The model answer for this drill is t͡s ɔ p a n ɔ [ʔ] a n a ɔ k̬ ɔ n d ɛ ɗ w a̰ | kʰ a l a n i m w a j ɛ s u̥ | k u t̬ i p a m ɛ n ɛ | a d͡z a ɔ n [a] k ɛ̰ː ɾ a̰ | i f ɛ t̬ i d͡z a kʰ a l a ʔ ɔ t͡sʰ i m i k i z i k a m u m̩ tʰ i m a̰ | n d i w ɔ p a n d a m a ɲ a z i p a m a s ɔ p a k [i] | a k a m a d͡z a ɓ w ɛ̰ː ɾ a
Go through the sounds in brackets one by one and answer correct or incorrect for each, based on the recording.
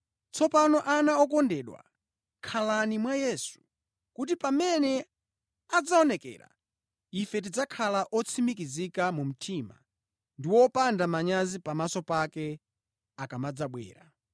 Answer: correct, incorrect: ɛ, incorrect: ɛ

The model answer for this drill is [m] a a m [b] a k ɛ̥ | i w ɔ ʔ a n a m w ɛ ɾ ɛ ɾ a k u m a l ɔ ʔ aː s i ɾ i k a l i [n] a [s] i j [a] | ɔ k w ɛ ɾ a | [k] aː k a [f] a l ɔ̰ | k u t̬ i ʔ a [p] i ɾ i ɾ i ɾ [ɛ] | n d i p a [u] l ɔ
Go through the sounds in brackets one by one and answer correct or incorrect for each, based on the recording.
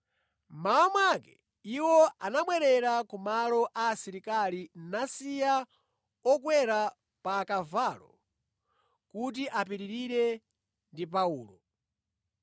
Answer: correct, incorrect: w, correct, correct, correct, incorrect: p, incorrect: v, correct, correct, incorrect: uː

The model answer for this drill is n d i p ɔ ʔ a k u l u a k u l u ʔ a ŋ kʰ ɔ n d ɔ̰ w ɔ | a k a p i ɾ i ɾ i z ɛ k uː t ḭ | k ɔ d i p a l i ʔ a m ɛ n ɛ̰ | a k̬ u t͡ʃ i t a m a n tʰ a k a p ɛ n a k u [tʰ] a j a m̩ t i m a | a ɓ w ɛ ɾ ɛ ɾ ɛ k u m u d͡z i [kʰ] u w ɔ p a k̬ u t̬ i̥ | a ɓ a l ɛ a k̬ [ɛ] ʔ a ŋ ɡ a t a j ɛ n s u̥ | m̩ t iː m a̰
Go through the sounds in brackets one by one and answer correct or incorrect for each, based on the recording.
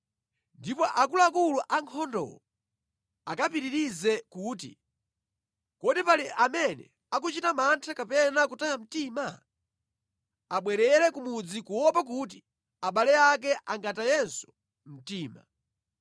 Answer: incorrect: t, incorrect: k, correct

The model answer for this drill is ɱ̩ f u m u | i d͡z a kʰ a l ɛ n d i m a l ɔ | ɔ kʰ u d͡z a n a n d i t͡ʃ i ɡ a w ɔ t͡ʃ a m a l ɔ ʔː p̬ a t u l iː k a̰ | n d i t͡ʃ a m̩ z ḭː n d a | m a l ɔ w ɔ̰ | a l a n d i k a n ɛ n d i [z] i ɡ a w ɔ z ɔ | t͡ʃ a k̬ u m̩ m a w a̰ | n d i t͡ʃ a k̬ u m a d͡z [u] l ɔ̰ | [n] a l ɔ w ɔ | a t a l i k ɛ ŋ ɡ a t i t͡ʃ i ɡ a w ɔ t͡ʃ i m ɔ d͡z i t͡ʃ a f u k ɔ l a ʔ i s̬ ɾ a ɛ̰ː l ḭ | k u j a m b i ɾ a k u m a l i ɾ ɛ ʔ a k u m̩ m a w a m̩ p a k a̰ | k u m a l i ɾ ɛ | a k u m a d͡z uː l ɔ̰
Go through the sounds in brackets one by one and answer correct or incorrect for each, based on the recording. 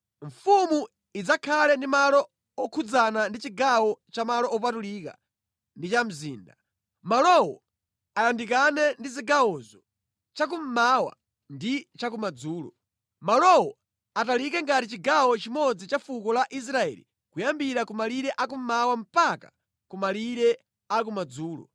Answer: correct, incorrect: uː, incorrect: m

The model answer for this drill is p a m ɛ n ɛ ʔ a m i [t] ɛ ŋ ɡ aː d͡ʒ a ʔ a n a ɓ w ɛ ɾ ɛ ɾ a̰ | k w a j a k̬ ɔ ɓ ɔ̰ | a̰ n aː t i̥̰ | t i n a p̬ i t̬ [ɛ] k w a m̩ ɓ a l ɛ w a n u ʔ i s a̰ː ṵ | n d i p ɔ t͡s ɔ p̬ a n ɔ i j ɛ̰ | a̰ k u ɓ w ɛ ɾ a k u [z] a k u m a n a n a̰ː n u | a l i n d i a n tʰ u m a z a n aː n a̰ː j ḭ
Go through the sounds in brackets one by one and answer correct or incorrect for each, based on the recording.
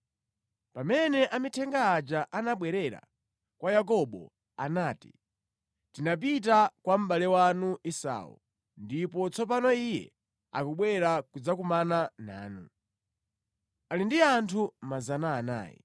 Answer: incorrect: tʰ, incorrect: a, incorrect: d͡z

